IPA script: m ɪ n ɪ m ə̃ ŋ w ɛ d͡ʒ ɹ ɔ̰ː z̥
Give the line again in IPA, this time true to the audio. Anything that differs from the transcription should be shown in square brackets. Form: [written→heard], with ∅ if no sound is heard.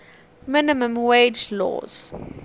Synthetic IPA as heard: m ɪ n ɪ m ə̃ [ŋ→m] w [ɛ→e] d͡ʒ [ɹ→l] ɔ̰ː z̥